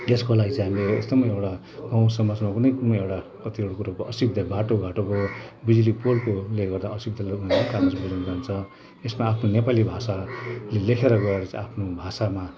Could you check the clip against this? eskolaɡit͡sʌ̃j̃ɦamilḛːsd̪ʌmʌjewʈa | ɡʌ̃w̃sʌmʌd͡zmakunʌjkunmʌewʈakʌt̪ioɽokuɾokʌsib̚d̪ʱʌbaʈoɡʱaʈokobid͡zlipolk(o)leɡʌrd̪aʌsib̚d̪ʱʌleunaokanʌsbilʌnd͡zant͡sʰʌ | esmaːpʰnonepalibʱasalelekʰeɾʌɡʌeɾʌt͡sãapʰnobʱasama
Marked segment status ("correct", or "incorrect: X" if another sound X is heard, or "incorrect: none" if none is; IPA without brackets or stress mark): correct